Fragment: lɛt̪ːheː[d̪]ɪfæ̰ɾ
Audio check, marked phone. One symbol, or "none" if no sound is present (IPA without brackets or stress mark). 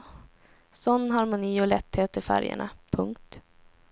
t̪